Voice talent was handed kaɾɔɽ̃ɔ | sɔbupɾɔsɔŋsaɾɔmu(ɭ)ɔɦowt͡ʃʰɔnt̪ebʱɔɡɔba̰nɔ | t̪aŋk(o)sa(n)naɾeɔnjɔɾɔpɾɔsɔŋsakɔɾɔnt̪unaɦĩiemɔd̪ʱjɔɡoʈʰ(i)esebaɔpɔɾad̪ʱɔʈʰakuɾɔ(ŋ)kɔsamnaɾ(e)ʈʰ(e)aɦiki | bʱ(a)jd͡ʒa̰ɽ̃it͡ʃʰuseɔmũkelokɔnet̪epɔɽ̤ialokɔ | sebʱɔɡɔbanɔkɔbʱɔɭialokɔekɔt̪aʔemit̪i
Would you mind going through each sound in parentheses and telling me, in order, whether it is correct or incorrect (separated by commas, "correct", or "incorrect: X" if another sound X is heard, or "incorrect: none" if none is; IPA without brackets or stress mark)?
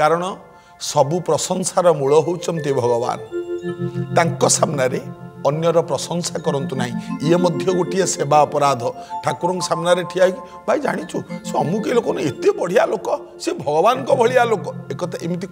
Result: correct, incorrect: ɔ, incorrect: m, correct, correct, correct, incorrect: i, correct